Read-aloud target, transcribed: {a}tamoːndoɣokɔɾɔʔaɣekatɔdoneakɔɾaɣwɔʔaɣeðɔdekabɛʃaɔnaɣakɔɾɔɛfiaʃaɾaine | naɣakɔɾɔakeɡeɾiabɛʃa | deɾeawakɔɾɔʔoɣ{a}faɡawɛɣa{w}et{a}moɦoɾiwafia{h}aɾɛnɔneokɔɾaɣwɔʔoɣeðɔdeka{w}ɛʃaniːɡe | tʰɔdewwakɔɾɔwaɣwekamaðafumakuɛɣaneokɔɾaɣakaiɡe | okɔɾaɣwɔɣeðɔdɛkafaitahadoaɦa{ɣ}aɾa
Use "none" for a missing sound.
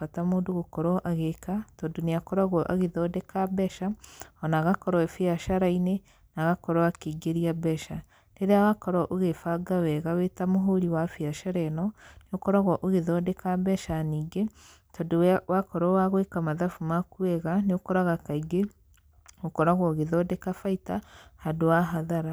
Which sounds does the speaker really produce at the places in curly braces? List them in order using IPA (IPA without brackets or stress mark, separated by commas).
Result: a, e, w, a, ʃ, b, ð